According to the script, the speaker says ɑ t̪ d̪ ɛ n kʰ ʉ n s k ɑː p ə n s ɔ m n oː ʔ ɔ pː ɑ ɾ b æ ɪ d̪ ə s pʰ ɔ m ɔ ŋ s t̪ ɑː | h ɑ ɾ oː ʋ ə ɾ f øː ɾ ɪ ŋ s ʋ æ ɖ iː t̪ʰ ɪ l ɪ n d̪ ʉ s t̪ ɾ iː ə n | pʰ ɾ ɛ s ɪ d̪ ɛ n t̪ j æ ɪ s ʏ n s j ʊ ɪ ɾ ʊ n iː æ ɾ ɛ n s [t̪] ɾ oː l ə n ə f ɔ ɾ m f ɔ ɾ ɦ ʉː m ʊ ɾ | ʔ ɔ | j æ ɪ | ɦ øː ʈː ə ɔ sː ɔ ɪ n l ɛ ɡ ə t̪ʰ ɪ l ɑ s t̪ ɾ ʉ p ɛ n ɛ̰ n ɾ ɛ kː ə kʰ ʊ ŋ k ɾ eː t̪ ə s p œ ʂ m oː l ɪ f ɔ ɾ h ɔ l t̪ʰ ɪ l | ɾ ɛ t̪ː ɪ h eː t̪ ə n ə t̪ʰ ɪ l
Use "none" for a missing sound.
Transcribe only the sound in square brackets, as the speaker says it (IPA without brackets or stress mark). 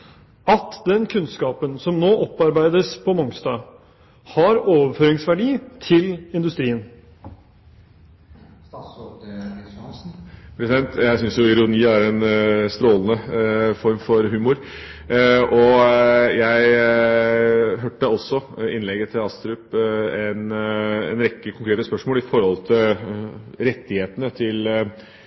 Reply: t̪